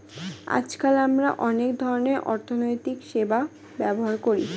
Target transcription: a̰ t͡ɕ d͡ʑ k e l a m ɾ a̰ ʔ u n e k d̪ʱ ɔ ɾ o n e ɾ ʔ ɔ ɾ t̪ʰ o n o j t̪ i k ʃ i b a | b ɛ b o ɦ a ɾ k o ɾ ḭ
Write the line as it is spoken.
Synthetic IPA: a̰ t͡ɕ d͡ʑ k a l a m ɾ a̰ ʔ ɔ n e k d̪ʱ ɔ ɾ o n e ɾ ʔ ɔ ɾ t̪ʰ o n o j t̪ i k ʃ e b a | b ɛ b o ɦ a ɾ k o ɾ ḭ